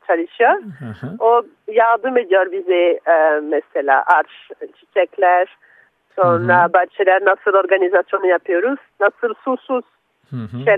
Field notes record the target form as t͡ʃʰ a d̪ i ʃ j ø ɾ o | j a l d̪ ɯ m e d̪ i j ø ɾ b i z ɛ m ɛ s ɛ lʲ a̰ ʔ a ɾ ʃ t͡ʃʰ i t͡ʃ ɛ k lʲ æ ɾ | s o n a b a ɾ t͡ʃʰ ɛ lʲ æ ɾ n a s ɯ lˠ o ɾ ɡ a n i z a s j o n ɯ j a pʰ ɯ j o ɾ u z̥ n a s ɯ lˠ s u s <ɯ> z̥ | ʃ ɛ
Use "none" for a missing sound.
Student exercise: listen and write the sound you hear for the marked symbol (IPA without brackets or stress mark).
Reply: u